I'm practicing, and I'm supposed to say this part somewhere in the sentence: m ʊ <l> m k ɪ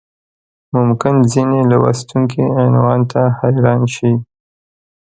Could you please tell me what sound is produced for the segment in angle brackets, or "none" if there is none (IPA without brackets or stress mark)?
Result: none